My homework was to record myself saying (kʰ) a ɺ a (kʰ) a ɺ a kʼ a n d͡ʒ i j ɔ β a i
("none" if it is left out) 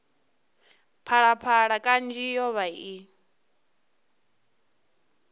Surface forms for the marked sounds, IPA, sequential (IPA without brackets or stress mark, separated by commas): pʰ, pʰ